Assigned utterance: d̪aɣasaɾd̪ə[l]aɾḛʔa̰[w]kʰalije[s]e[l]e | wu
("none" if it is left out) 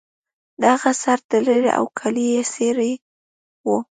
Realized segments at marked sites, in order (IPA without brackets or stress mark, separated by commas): l, w, s, ɾ